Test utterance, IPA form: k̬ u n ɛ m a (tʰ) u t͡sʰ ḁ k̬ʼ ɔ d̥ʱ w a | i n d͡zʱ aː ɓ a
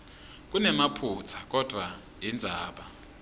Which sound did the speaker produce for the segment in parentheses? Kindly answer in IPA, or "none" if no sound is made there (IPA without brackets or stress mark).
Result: pʰ